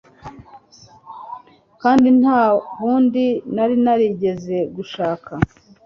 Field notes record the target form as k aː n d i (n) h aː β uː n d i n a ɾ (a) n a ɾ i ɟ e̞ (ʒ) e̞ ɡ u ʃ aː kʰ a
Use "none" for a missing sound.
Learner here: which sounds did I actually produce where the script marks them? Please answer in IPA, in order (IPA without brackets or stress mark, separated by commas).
n, i, z